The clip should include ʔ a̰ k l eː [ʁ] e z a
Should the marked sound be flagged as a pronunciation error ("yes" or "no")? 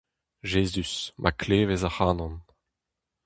yes